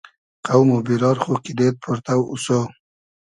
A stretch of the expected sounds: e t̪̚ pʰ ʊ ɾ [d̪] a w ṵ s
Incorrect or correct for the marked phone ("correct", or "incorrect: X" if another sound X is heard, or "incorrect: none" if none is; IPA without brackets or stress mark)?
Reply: incorrect: t̪